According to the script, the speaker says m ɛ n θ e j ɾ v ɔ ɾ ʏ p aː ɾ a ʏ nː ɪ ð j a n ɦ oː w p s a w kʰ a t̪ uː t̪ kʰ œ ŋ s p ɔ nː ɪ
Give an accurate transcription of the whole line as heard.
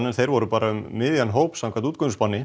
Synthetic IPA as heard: n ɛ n θ e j ɾ v ɔ ɾ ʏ p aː ɾ a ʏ mː ɪ ð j a n ɦ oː w p s a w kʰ a t̪ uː t̪ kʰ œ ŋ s p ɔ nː ɪ

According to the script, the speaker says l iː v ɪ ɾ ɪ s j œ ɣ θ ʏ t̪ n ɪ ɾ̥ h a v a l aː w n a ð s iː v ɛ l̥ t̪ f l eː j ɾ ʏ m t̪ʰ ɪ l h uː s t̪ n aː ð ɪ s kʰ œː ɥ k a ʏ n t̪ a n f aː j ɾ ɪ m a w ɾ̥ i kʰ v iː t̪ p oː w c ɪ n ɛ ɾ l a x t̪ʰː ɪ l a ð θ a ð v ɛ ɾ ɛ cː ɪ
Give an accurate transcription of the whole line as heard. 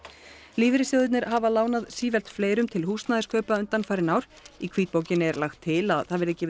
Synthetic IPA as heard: l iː v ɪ ɾ ɪ s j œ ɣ ð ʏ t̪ n ɪ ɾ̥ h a v a l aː w n a ð s iː v ɛ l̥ t̪ f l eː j ɾ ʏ m t̪ʰ ɪ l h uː s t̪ n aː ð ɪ s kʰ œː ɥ p a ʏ n t̪ a n f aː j ɾ ɪ n a w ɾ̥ i kʰ v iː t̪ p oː w c ɪ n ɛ ɾ l a x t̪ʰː ɪ l a ð θ a ð v ɛ ɾ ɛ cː ɪ

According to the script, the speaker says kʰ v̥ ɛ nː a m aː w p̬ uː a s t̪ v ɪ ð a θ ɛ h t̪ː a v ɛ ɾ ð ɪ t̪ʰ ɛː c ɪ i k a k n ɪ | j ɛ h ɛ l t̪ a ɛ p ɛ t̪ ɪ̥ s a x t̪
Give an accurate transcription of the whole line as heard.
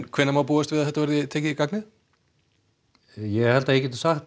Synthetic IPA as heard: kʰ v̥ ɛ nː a m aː w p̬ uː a s t̪ v ɪ ð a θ ɛ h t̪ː a v ɛ ɾ ð ɪ t̪ʰ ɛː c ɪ i k a k n ɪ | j ɛ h ɛ l t̪ a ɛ c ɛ t̪ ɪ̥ s a x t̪

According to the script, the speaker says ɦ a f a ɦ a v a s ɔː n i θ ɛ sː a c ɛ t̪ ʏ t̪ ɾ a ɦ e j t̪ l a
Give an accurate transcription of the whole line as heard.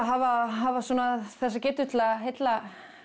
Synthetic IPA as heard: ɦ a v a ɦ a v a s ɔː n a θ ɛ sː a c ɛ t̪ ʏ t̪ l a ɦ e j t̪ l a

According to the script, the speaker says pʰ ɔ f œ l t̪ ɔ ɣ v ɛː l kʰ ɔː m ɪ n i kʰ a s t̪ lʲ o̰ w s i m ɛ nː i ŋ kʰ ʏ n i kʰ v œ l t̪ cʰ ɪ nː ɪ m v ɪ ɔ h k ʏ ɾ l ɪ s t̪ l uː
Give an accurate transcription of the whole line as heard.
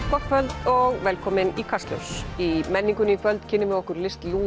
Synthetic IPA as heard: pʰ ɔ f œ l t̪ ɔ ɣ v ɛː l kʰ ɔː m ɪ n i kʰ a s t̪ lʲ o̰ w s i m ɛ nː i ŋ k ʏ n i kʰ v œ l t̪ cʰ ɪ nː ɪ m v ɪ ɔ h k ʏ ɾ l ɪ s t̪ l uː

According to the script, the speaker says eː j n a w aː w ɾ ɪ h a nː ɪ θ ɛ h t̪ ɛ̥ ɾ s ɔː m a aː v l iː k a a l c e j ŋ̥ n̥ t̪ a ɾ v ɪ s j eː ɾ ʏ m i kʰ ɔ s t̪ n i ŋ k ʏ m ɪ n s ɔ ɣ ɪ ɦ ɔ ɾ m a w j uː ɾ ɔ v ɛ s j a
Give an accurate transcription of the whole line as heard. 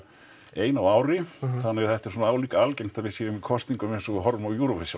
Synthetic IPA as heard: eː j n a w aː w ɾ ɪ θ a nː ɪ θ ɛ h t̪ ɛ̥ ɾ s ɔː n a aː w l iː k a a l c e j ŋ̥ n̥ t̪ a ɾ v ɪ s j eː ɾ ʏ m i kʰ ɔ s t̪ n i ŋ k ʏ m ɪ n s ɔ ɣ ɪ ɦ ɔ ɾ m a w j uː ɾ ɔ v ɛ s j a

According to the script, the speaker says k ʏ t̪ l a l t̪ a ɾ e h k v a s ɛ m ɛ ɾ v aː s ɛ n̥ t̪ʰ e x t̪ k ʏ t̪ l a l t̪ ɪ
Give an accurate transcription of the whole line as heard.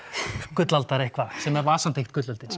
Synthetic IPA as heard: k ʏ t̪ l a l t̪ a ɾ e h k v a s ɛ m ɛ ɾ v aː s a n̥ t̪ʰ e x t̪ k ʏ t̪ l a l t̪ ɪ

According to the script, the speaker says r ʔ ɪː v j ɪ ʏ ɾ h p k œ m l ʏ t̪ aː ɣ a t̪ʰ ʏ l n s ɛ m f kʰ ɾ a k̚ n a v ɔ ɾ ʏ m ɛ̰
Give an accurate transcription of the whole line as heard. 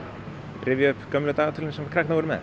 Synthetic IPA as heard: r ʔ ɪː v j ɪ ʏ h p k œ m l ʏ t̪ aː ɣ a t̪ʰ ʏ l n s ɛ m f kʰ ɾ a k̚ n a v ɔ ɾ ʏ m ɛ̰

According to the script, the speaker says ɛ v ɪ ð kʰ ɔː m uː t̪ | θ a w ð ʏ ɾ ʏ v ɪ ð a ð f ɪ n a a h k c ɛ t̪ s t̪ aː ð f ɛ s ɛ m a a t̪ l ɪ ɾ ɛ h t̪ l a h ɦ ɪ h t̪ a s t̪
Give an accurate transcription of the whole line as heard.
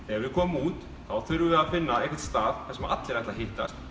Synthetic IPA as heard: ɛ v ɪ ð kʰ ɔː m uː t̪ | θ a w θ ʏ ɾ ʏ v ɪ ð a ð f ɪ nː a ɛ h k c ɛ t̪ s t̪ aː ð θ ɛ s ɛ m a a t̪ l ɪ ɾ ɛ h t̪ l a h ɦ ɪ h t̪ a s t̪

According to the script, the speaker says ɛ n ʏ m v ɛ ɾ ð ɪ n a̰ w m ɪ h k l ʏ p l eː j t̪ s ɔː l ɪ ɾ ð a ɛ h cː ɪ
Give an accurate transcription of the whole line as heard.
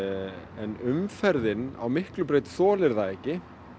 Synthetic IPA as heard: ɛ n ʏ m f ɛ ɾ ð ɪ n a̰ w m ɪ h k l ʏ p ɾ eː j t̪ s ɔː l ɪ ɾ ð a ɛ h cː ɪ

